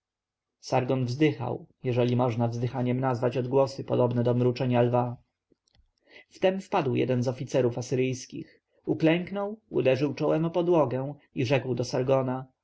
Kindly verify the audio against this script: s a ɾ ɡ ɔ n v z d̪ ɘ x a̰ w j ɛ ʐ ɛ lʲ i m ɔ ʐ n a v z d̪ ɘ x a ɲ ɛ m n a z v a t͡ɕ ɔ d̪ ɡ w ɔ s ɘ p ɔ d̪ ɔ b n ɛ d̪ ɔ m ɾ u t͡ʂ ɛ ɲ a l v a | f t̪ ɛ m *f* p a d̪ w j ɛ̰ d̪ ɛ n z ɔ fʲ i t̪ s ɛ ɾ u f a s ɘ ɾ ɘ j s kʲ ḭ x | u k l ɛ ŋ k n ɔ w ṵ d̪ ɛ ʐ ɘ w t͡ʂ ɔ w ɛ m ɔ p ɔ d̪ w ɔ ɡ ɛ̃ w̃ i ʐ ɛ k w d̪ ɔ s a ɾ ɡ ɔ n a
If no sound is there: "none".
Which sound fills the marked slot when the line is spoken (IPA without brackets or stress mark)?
f